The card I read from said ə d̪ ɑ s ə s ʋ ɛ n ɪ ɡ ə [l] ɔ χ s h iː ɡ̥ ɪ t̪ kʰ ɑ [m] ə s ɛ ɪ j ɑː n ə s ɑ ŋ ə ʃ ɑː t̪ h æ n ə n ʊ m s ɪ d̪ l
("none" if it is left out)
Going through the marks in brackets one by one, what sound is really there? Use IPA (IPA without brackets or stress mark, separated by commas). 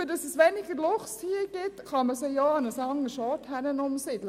l, m